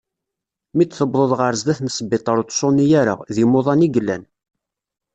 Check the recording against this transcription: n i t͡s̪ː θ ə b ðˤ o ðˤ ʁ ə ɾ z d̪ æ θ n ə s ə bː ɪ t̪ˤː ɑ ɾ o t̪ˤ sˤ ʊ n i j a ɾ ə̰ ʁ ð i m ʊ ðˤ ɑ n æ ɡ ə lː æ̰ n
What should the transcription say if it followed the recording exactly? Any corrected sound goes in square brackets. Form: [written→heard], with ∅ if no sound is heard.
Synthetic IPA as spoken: [n→m] i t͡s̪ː θ ə b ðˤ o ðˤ ʁ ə ɾ z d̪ æ θ n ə s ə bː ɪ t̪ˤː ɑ ɾ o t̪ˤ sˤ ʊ n i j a ɾ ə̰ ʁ ð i m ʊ ðˤ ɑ n [æ→i] ɡ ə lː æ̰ n